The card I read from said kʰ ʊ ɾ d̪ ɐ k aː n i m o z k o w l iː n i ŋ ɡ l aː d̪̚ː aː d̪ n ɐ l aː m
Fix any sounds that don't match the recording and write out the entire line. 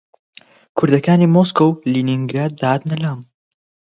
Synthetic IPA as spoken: kʰ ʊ ɾ d̪ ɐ k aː n i m o s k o w l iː n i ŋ ɡ ɾ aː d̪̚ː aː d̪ n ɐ l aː m